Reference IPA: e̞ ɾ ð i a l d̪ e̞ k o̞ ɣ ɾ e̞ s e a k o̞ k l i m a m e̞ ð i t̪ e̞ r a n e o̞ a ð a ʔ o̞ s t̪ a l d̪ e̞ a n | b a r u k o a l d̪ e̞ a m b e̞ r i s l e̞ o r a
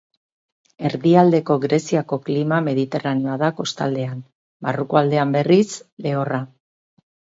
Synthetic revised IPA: e̞ ɾ ð i a l d̪ e̞ k o̞ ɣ ɾ e̞ s i a k o̞ k l i m a m e̞ ð i t̪ e̞ r a n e o̞ a ð a k o̞ s t̪ a l d̪ e̞ a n | b a r u k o a l d̪ e̞ a m b e̞ r i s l e̞ o r a